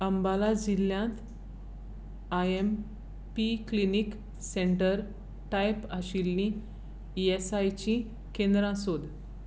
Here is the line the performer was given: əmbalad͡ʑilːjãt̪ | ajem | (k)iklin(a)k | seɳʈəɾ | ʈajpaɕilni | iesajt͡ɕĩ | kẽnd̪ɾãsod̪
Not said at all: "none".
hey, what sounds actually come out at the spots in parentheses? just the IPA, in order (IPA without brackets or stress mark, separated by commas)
p, i